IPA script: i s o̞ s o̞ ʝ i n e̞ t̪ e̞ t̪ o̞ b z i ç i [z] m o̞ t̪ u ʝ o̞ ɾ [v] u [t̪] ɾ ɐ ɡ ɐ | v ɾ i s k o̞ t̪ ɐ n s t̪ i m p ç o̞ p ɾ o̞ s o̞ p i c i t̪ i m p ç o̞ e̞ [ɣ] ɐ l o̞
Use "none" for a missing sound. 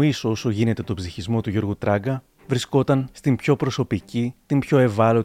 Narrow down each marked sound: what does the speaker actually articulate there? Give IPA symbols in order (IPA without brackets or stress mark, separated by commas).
z, ɣ, t̪, v